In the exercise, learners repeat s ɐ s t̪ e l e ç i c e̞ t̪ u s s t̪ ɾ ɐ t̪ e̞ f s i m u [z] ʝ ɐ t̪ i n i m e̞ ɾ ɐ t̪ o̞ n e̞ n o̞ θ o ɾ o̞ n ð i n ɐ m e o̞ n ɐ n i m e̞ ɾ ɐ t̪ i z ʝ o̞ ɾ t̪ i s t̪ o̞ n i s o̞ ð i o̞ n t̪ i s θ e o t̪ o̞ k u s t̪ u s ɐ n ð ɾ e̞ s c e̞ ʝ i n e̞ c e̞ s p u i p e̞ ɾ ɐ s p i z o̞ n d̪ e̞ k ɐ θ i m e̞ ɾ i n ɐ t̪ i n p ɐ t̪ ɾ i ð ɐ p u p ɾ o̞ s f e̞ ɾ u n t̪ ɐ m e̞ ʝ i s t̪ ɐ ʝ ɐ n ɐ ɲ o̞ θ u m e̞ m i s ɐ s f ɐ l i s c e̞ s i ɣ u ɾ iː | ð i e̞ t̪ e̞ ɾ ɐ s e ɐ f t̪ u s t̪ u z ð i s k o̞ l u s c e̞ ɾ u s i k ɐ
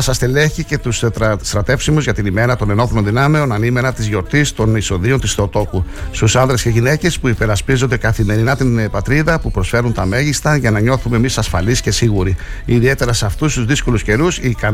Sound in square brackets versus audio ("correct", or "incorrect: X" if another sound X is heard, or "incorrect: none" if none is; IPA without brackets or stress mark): correct